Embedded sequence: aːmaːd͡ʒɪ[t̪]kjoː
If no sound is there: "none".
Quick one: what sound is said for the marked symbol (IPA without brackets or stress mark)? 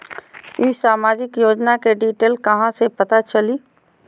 none